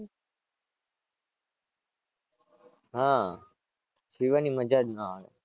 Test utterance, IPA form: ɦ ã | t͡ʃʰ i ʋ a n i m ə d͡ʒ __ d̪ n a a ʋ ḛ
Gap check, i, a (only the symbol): a